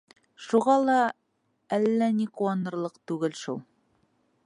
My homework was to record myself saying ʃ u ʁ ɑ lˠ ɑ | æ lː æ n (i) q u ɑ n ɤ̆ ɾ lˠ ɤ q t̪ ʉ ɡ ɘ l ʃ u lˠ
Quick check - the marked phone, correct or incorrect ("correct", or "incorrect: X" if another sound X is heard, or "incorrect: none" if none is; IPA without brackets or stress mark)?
correct